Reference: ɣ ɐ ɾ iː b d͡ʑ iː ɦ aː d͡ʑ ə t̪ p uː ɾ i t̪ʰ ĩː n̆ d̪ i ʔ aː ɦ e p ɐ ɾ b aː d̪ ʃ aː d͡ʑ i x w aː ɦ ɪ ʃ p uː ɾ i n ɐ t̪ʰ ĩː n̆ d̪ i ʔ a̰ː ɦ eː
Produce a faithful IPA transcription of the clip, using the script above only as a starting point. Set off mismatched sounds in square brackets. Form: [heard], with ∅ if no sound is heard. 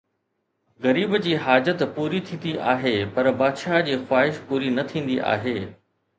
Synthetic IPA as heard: ɣ ɐ ɾ iː b d͡ʑ iː ɦ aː d͡ʑ ə t̪ p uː ɾ i t̪ʰ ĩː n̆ d̪ i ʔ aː ɦ e p ɐ ɾ b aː d̪ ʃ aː d͡ʑ [iː] x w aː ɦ ɪ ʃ p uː ɾ i n ɐ t̪ʰ ĩː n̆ d̪ i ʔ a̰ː ɦ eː

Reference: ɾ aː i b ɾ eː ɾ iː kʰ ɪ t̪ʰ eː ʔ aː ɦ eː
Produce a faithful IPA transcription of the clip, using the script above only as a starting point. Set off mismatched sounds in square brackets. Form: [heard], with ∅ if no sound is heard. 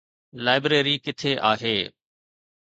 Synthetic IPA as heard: [l] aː [ɪ] b ɾ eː ɾ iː [k] ɪ t̪ʰ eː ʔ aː ɦ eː

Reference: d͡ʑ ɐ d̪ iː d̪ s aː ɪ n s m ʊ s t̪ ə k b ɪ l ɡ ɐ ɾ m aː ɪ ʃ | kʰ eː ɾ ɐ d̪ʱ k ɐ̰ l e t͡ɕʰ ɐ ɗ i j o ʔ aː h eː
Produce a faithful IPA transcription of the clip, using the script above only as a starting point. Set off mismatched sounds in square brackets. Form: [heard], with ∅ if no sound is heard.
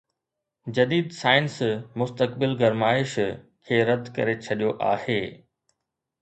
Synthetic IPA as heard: d͡ʑ ɐ d̪ iː d̪ s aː ɪ n s m ʊ s t̪ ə k b ɪ l ɡ ɐ ɾ m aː ɪ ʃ | kʰ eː ɾ ɐ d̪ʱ k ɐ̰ [ɾ] e t͡ɕʰ ɐ ɗ i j o ʔ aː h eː

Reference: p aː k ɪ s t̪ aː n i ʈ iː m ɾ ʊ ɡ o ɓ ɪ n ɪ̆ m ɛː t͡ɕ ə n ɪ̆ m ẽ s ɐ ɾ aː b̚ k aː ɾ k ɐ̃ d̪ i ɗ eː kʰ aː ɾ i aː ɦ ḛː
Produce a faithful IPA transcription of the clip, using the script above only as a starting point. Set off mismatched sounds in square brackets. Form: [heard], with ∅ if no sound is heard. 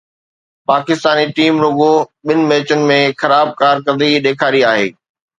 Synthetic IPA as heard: p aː k ɪ s t̪ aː n i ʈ iː m ɾ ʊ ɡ o ɓ ɪ n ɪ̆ m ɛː t͡ɕ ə n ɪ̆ m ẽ [x] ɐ ɾ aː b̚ k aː ɾ k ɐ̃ d̪ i ɗ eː kʰ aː ɾ i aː ɦ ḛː

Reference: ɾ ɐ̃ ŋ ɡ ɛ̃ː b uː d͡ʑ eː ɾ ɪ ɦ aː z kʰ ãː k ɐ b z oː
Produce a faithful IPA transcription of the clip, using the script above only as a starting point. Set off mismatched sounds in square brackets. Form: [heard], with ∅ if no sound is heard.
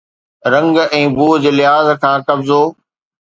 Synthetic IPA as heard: ɾ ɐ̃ ŋ ɡ ɛ̃ː b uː d͡ʑ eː [l] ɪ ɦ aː z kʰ ãː k ɐ b z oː

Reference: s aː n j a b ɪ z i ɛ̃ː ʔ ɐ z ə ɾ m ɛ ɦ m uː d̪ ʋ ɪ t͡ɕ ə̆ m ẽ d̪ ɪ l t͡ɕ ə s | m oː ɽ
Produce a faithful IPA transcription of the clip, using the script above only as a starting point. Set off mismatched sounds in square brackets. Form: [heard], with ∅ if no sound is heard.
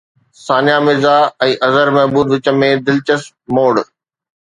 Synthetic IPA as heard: s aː n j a [m] ɪ z [a] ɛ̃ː ʔ ɐ z ə ɾ m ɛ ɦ [b] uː d̪ ʋ ɪ t͡ɕ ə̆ m ẽ d̪ ɪ l t͡ɕ ə s | m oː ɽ

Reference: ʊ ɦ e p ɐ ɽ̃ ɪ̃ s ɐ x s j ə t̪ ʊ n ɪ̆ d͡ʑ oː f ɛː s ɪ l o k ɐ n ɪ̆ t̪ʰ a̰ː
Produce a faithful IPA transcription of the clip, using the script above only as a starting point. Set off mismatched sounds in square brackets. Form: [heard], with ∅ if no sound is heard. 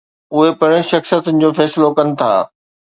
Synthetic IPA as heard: ʊ ɦ e p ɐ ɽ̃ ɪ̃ [ʃ] ɐ x s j ə t̪ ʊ n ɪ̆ d͡ʑ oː f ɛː s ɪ l o k ɐ n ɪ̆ t̪ʰ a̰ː

